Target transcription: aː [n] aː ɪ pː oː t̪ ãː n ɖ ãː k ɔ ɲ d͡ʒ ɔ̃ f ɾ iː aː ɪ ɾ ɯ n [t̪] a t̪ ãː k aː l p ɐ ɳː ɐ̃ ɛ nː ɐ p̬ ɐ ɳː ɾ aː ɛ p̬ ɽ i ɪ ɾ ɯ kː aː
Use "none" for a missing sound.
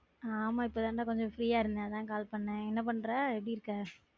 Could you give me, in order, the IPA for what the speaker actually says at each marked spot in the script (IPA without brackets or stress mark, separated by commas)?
m, d̪